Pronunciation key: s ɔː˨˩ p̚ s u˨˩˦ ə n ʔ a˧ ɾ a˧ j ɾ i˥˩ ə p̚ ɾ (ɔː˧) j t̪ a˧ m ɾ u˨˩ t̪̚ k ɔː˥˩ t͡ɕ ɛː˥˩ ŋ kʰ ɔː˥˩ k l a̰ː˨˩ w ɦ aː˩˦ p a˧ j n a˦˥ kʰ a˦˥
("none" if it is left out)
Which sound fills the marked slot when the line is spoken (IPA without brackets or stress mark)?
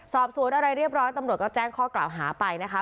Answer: ɔː˦˥